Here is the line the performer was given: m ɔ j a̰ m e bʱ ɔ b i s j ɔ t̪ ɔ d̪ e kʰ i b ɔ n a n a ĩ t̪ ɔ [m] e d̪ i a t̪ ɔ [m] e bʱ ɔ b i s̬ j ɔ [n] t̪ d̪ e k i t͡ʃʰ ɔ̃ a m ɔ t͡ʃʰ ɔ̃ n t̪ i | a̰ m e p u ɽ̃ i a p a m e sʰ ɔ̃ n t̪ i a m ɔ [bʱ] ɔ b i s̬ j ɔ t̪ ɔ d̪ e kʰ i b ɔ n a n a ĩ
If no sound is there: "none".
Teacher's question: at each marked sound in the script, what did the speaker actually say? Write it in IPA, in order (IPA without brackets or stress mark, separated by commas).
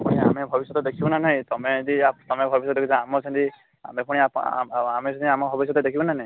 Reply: m, m, none, bʱ